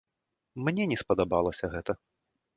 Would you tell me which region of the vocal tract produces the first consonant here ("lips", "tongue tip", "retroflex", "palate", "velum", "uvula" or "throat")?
lips